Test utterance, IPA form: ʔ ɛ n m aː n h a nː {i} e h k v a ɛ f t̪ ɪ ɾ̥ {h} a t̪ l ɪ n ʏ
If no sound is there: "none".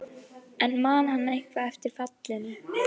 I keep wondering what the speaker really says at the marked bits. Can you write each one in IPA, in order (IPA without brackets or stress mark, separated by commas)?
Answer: a, f